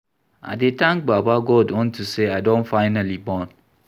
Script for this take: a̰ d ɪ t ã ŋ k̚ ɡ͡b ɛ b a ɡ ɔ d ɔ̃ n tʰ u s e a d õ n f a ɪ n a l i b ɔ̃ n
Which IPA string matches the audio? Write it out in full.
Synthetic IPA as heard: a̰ d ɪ t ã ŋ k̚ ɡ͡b a b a ɡ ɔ d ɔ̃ n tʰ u s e a d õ n f a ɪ n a l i b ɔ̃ n